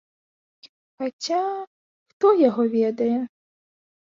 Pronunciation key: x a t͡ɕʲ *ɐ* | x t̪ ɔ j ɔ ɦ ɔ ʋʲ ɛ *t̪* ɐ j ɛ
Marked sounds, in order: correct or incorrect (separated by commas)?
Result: incorrect, incorrect